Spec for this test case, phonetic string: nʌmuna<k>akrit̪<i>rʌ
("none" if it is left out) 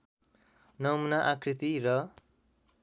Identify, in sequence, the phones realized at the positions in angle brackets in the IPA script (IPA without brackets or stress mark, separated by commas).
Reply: ʔ, i